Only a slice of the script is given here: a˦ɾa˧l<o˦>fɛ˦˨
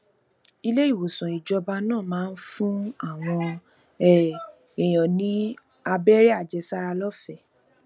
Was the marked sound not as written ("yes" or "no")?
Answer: yes